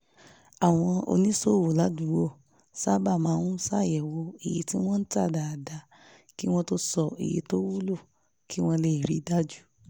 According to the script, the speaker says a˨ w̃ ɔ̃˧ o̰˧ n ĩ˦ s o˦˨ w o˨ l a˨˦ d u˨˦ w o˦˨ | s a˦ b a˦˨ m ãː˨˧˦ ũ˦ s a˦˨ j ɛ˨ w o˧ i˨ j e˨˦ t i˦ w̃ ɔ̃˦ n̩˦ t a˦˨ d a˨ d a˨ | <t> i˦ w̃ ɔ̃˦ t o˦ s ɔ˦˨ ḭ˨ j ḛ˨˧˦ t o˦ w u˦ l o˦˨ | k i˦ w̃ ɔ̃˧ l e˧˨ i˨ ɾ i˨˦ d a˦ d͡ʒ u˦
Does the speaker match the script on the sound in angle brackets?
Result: no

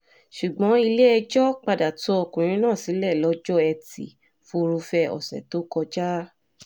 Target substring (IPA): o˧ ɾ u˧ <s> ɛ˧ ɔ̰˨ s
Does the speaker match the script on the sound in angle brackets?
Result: no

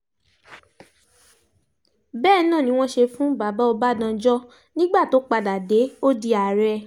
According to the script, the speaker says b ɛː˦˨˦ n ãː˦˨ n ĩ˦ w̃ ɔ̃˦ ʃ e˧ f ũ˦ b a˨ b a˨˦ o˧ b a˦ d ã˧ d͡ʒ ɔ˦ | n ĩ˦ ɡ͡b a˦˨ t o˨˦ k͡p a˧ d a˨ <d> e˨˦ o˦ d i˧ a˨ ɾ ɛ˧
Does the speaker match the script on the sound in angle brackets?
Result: yes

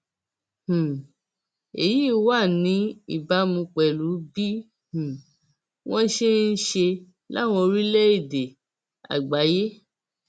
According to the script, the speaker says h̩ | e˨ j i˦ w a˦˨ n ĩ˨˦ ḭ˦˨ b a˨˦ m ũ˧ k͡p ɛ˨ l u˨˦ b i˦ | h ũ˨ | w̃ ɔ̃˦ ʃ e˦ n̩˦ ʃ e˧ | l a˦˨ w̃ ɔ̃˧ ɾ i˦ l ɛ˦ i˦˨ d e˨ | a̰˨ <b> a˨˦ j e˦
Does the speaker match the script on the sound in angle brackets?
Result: no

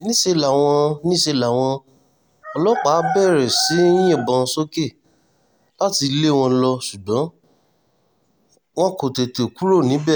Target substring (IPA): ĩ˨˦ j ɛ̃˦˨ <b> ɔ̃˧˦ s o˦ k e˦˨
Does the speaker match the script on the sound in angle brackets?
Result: yes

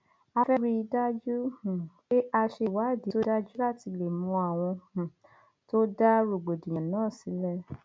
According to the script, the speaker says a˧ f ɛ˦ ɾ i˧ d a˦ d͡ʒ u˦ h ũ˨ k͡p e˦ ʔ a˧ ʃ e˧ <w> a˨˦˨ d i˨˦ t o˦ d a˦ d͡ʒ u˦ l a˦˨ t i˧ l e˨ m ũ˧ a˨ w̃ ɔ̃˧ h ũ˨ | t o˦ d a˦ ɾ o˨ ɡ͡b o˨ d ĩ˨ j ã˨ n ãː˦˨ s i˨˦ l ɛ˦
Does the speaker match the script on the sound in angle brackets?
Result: yes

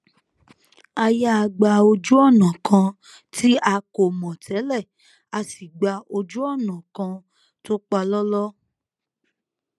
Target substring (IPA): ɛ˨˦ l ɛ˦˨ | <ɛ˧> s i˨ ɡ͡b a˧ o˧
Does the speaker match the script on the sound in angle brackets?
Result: no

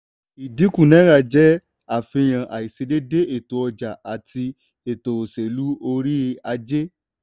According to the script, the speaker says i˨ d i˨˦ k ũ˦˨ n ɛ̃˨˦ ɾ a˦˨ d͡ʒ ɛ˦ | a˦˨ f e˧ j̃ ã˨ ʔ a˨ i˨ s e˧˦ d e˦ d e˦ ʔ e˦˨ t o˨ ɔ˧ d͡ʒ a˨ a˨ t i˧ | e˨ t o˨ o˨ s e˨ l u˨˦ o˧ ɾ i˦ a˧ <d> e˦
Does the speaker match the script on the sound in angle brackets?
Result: no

